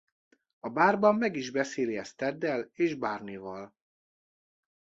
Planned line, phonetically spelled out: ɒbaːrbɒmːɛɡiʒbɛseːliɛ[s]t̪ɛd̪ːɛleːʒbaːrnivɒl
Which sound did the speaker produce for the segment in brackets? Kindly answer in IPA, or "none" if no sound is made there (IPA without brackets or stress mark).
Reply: s